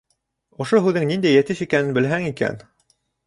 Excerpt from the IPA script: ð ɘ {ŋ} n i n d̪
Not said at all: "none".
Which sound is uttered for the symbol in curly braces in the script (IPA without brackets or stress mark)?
ŋ